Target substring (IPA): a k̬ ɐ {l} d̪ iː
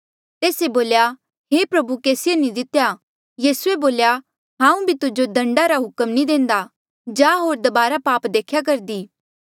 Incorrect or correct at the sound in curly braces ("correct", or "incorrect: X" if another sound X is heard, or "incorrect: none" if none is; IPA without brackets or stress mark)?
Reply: incorrect: ɾ